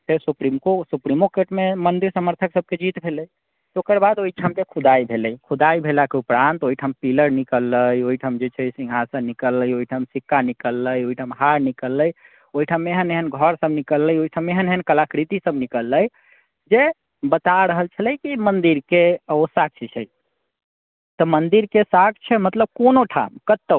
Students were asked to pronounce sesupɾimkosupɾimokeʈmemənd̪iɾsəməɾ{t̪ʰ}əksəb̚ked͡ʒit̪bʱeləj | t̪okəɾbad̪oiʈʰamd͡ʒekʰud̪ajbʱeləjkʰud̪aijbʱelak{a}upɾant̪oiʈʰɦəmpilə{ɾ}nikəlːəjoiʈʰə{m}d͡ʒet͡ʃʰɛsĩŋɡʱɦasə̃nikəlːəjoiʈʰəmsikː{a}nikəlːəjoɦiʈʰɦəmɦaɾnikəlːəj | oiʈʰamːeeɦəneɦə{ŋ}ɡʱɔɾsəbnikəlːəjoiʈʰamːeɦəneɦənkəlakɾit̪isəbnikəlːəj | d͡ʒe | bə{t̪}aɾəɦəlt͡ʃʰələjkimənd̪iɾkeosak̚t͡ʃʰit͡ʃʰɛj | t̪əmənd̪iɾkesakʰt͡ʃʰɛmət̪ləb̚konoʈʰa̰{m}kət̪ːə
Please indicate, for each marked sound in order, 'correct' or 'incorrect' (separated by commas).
correct, incorrect, correct, correct, correct, incorrect, correct, correct